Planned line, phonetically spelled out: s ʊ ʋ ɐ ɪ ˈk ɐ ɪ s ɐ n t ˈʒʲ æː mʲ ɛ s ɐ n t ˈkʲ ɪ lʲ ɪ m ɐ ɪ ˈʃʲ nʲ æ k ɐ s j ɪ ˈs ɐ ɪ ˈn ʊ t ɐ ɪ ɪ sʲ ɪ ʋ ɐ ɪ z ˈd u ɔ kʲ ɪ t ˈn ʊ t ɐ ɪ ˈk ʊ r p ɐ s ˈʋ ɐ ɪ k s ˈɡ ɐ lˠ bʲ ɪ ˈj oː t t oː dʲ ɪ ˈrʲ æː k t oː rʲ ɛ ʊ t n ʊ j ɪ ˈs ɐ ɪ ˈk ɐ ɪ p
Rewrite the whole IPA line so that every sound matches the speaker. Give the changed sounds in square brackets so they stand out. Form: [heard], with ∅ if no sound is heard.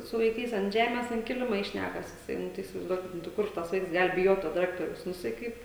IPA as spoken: s ʊ ʋ ɐ ɪ ˈk ɐ ɪ s ɐ n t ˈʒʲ æː mʲ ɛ s ɐ n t ˈkʲ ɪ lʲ ɪ m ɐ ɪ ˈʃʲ nʲ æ k ɐ s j ɪ ˈs ɐ ɪ ˈn ʊ t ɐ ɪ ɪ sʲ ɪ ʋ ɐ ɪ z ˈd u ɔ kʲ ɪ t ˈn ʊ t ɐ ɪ ˈk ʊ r [t] ɐ s ˈʋ ɐ ɪ k s ˈɡ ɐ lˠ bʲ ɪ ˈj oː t t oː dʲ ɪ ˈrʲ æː k t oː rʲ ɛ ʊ [s] n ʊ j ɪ ˈs ɐ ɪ ˈk ɐ ɪ p

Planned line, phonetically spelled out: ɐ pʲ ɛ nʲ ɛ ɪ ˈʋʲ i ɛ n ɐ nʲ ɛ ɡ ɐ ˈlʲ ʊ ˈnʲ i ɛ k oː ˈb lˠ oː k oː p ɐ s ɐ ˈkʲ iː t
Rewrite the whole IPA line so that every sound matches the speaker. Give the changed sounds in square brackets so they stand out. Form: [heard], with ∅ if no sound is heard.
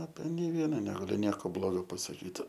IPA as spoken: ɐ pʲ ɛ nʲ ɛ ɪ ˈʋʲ i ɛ n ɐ nʲ ɛ ɡ ɐ ˈlʲ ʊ ˈnʲ i ɛ k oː ˈb lˠ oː [ɡ] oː p ɐ s ɐ ˈkʲ iː t

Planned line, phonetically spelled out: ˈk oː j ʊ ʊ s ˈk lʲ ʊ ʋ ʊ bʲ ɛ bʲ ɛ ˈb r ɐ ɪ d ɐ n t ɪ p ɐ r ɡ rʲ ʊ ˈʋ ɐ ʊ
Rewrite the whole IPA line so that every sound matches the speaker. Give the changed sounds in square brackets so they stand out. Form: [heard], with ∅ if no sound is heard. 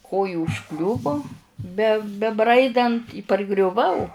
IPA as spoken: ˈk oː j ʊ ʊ [ʃ] ˈk lʲ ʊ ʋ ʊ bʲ ɛ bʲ ɛ ˈb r ɐ ɪ d ɐ n t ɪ p ɐ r ɡ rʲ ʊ ˈʋ ɐ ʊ

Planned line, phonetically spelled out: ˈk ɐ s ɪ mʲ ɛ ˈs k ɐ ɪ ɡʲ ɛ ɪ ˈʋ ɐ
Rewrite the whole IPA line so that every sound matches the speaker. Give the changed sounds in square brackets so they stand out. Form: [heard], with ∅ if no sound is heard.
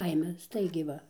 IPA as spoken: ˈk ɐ [∅] ɪ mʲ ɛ ˈs [t] ɐ ɪ ɡʲ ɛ ɪ ˈʋ ɐ

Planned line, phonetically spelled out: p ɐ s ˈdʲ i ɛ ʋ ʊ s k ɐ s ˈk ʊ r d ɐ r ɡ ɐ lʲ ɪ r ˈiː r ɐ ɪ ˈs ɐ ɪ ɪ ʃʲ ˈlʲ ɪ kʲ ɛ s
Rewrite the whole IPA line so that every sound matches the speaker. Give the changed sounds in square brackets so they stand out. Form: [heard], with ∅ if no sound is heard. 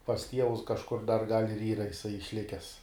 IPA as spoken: p ɐ s [ˈtʲ] i ɛ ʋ ʊ s k ɐ [ʃ] ˈk ʊ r d ɐ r ɡ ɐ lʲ ɪ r ˈiː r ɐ ɪ ˈs ɐ ɪ ɪ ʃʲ ˈlʲ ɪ kʲ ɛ s

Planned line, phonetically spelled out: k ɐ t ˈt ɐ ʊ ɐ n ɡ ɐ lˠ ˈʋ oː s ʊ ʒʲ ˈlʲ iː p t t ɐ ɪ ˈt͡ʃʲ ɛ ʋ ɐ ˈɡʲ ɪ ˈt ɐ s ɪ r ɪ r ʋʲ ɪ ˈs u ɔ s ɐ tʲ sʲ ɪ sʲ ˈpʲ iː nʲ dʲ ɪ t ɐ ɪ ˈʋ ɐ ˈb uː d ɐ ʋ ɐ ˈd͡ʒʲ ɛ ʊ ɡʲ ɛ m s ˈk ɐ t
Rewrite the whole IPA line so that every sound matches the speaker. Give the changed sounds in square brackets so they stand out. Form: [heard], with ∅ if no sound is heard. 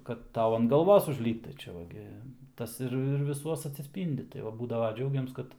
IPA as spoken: k ɐ t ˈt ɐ ʊ ɐ n ɡ ɐ lˠ ˈʋ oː s ʊ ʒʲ ˈlʲ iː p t t ɐ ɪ ˈt͡ʃʲ ɛ ʋ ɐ ˈɡʲ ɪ ˈt ɐ s ɪ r ɪ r ʋʲ ɪ ˈs u ɔ s ɐ tʲ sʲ ɪ sʲ ˈpʲ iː nʲ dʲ ɪ t ɐ ɪ ˈʋ ɐ ˈb uː d ɐ ʋ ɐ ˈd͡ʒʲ ɛ ʊ ɡʲ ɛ m s ˈk ɐ t

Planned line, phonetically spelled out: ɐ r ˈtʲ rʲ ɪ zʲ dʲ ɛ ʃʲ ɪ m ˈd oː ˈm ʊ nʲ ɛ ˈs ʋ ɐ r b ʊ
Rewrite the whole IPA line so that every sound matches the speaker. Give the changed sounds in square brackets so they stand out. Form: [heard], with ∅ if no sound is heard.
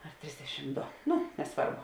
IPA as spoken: ɐ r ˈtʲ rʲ ɪ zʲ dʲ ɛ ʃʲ ɪ m ˈd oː [ˈn] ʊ nʲ ɛ ˈs ʋ ɐ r b ʊ

